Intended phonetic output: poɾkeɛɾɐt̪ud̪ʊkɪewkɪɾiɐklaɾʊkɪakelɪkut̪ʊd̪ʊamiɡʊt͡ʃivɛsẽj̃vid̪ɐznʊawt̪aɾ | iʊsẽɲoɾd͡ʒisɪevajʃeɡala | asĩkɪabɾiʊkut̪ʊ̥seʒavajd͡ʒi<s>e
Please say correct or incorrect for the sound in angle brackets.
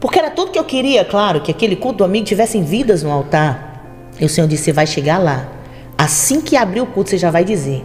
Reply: incorrect